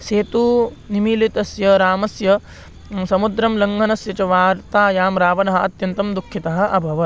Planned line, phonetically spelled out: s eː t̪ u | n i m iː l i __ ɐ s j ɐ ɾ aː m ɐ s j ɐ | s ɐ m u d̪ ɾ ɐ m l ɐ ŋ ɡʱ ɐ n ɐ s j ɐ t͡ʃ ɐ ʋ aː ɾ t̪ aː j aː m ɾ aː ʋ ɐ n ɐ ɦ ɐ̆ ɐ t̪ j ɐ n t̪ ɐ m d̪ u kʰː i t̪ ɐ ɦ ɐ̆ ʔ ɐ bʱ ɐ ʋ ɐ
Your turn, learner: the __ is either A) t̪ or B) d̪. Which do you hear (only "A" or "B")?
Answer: A